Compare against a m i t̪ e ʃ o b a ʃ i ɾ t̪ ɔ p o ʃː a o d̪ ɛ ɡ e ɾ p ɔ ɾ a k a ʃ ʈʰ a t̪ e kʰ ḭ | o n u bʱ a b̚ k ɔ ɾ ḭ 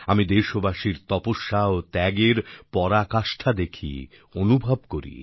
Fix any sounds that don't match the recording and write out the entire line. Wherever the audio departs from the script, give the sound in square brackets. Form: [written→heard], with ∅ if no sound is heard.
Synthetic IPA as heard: a m i [t̪→d̪] e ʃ o b a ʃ i ɾ t̪ ɔ p o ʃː a o [d̪→t̪] ɛ ɡ e ɾ p ɔ ɾ a k a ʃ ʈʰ a [t̪→d̪] e kʰ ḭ | o n u bʱ a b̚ k [ɔ→o] ɾ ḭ